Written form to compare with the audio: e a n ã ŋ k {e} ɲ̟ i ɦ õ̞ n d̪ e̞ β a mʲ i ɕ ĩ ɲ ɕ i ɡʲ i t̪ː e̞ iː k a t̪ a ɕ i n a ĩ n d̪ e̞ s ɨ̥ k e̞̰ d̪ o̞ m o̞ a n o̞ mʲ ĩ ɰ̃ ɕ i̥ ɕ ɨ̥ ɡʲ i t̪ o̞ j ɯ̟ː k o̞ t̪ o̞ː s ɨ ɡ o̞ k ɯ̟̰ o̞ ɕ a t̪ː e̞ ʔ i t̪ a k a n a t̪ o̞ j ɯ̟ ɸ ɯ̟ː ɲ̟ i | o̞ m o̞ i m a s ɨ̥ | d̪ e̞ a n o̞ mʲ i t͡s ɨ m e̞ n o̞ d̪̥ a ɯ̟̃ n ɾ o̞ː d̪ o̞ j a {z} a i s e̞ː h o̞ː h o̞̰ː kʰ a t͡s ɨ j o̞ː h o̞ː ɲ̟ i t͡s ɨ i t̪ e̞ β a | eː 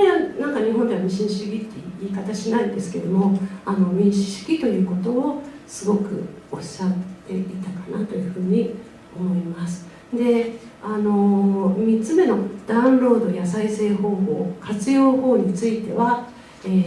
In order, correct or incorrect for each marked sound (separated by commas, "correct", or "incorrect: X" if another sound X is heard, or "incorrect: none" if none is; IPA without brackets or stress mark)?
incorrect: a, incorrect: s